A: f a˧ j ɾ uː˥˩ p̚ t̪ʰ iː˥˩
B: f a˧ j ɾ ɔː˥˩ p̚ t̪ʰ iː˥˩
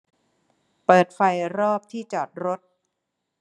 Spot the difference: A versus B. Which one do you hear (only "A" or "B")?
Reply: B